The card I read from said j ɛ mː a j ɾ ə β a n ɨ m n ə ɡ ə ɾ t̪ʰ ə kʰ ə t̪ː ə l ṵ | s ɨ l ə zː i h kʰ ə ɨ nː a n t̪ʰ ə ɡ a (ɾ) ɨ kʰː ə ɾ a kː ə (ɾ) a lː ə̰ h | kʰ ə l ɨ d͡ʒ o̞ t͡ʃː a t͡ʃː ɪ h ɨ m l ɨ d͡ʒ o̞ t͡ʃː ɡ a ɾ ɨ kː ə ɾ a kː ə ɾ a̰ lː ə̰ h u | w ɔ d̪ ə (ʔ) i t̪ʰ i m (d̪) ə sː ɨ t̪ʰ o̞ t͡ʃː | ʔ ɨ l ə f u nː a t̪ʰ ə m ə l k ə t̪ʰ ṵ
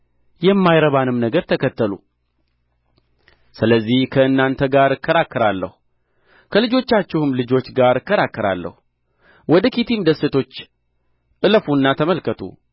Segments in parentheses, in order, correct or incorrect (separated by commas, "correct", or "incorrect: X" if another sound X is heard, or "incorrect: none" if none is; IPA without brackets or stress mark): correct, correct, incorrect: k, correct